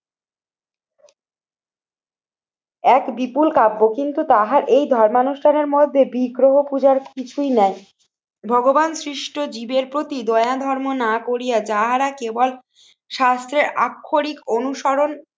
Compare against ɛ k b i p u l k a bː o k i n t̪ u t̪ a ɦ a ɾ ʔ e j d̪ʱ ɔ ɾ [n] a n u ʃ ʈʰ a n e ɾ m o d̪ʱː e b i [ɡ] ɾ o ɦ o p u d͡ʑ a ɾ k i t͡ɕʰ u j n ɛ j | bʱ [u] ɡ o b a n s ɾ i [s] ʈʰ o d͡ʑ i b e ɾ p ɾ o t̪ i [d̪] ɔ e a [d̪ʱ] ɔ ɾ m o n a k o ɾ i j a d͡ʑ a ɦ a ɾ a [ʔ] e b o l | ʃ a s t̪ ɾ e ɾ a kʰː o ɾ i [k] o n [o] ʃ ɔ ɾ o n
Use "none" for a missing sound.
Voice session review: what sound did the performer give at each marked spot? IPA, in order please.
m, ɡ, ɔ, ʃ, d̪, d̪ʱ, k, k, u

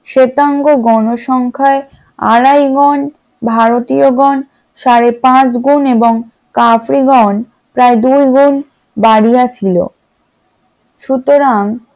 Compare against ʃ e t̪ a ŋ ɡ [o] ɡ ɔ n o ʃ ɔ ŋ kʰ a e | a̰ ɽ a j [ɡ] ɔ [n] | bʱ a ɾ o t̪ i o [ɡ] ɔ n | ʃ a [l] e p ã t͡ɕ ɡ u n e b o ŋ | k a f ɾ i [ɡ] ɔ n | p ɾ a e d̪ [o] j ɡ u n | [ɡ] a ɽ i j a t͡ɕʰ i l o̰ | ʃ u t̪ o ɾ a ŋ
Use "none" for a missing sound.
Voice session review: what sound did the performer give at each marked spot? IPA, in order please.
o, ɡ, n, ɡ, ɾ, ɡ, u, b

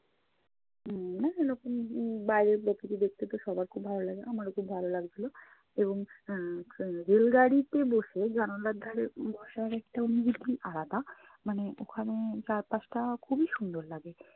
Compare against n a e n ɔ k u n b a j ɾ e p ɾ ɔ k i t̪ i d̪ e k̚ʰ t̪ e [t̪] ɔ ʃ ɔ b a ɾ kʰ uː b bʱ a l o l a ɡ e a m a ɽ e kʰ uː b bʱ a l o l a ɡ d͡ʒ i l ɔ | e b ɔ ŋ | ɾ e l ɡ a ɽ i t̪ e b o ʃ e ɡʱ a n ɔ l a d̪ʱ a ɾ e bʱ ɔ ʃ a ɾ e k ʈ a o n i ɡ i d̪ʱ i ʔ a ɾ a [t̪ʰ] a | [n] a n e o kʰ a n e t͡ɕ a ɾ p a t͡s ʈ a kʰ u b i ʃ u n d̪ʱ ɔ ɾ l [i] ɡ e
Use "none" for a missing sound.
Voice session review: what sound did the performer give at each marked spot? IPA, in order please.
t̪, t̪, m, a

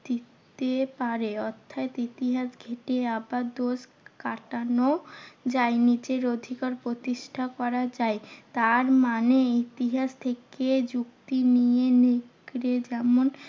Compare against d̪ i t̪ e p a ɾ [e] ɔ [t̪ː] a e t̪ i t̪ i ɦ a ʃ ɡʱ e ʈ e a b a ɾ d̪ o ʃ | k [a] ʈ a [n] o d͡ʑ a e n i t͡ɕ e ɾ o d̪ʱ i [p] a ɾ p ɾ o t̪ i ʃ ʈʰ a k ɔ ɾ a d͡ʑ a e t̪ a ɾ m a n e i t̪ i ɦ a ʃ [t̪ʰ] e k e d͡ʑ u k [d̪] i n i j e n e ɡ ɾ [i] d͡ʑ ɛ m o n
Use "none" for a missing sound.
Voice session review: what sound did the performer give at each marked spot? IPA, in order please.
e, t̪ʰː, a, n, k, t̪ʰ, t̪, e

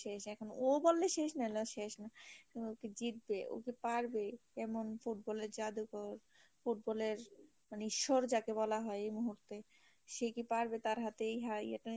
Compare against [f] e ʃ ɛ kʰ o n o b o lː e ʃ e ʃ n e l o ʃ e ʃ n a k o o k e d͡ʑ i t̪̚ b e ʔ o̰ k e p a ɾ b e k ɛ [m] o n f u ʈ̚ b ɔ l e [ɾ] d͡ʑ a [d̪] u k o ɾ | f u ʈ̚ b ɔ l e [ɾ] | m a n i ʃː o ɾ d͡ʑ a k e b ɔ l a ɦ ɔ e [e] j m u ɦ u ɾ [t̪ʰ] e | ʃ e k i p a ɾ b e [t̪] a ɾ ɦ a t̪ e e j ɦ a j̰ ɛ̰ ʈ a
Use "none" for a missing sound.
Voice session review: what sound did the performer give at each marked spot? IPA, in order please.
ʃ, m, ɾ, d̪, ɾ, e, t̪, t̪

